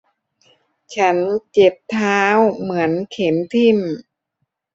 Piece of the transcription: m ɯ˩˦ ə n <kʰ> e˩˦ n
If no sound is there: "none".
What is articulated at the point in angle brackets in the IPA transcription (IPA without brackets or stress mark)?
kʰ